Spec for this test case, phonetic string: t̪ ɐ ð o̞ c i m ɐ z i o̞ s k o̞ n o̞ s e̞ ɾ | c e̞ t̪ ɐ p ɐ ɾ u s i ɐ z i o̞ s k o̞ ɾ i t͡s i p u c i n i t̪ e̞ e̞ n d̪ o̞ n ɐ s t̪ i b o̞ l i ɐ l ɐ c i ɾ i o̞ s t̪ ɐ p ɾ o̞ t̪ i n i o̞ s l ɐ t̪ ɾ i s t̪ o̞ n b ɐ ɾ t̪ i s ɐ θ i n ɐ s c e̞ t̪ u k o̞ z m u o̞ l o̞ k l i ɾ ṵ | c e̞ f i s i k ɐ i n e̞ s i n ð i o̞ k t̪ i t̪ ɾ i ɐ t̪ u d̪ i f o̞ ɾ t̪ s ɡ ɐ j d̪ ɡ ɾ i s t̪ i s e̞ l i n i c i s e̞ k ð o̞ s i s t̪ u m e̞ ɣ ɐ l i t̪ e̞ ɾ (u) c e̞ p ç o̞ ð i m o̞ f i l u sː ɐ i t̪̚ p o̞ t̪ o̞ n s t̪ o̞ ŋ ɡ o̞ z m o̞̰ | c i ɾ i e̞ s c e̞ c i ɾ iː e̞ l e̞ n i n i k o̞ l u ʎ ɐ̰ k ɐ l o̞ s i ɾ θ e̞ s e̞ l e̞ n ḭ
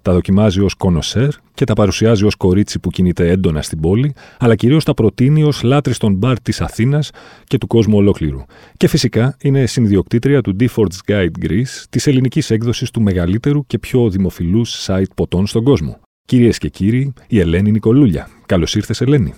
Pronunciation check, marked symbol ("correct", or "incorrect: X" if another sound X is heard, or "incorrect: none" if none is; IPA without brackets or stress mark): correct